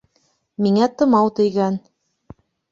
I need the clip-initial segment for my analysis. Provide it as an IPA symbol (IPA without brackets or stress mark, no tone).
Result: m